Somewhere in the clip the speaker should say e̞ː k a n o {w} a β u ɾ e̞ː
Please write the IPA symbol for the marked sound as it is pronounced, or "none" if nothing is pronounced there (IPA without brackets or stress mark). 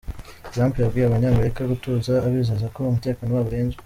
w